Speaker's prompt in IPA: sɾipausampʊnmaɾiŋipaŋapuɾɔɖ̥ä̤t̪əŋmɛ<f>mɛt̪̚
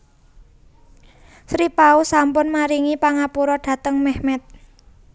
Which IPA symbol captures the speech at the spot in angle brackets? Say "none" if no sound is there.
h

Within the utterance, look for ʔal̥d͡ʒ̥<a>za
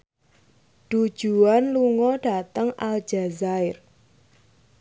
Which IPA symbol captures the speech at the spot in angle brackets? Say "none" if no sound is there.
a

